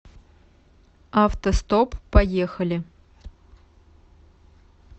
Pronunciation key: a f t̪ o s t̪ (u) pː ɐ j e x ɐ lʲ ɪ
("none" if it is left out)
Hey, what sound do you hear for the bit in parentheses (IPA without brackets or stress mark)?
o